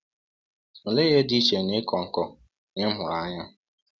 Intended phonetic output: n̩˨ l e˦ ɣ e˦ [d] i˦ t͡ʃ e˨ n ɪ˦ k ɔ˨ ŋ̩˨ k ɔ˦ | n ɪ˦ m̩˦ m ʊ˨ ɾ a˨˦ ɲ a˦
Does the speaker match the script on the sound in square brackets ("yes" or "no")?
yes